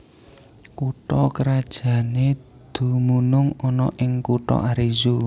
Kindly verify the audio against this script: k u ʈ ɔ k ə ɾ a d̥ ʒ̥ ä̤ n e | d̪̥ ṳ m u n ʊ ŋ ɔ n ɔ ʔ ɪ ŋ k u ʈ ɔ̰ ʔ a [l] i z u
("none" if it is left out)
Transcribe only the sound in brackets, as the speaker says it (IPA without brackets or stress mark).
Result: ɾ